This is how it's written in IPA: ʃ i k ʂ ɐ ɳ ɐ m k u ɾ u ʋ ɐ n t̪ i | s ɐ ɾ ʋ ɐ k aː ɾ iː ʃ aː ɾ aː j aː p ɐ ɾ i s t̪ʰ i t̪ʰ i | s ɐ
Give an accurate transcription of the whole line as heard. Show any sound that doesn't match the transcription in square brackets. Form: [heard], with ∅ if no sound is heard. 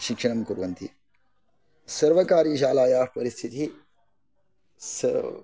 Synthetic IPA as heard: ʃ i k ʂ ɐ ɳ ɐ m k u ɾ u ʋ ɐ n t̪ i | s ɐ ɾ ʋ ɐ k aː ɾ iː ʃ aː [l] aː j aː p ɐ ɾ i s t̪ʰ i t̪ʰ i | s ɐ